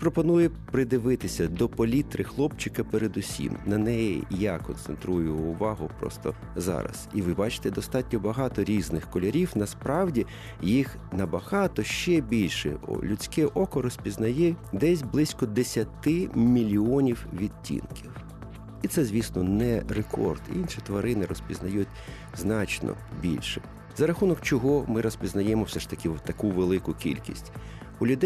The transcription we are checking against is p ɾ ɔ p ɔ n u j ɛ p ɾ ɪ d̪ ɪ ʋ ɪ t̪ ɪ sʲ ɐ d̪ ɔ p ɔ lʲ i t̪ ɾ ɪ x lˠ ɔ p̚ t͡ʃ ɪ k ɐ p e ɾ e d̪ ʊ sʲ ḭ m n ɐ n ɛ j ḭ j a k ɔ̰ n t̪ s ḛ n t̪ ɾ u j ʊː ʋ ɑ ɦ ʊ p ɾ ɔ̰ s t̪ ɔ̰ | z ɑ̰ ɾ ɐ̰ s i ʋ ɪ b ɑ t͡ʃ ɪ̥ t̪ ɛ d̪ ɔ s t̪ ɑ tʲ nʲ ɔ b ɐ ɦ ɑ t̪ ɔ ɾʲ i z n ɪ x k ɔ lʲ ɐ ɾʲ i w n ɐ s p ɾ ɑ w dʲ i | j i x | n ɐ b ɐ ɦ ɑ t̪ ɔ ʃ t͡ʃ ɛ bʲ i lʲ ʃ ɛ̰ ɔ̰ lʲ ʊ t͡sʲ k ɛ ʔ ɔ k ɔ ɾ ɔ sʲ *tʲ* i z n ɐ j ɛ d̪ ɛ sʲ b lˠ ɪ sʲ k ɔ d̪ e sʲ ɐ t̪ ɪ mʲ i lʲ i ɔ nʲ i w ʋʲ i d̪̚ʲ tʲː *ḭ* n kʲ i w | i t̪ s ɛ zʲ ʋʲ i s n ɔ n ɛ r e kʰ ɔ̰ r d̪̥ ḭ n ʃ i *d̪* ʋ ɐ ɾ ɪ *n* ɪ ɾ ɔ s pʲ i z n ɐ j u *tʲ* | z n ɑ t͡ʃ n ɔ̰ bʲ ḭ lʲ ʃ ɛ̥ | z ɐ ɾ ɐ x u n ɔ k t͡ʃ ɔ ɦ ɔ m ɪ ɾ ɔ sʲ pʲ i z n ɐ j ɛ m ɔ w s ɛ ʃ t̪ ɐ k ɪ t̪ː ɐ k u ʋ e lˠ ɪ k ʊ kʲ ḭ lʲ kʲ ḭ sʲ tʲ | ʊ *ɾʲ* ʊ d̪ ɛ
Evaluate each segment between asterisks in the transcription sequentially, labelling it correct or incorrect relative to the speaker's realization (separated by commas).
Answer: incorrect, correct, incorrect, correct, correct, incorrect